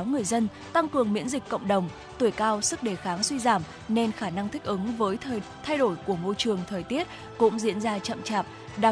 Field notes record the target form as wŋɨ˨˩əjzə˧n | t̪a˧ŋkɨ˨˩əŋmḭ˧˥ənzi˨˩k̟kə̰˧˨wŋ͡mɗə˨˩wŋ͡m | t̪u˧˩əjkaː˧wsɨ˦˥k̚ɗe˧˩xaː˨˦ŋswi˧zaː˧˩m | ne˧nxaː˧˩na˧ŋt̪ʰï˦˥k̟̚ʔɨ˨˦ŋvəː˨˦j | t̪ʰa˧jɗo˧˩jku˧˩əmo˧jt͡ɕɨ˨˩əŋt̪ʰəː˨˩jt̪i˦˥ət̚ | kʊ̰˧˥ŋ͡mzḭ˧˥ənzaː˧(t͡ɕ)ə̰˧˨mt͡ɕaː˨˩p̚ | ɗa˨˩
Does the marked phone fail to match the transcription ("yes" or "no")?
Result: no